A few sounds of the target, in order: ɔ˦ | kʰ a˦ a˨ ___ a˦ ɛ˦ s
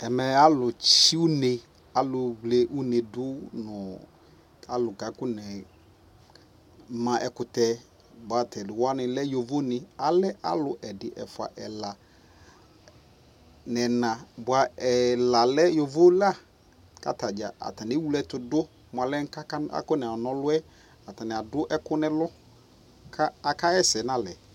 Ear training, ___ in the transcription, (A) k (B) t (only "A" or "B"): A